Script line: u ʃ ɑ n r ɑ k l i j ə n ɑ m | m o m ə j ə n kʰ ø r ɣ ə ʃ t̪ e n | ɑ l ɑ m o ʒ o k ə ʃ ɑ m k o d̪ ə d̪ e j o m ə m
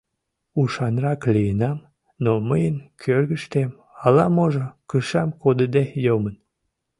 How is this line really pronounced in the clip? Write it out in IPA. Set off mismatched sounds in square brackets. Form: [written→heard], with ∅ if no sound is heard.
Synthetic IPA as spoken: u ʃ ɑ n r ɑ k l i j ə n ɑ m | [m→n] o m ə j ə n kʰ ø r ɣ ə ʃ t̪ e [n→m] | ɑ l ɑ m o ʒ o k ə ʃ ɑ m k o d̪ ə d̪ e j o m ə [m→n]